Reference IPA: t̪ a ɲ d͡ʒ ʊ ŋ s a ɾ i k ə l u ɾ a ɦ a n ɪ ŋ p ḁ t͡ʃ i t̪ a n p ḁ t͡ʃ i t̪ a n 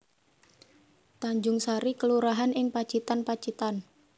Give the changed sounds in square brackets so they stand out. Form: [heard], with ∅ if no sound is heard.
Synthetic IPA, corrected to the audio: t̪ a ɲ d͡ʒ ʊ ŋ s a ɾ i k ə l u ɾ a ɦ a n ɪ ŋ p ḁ t͡ʃ i t̪ a n p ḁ t͡ʃ i t̪ a n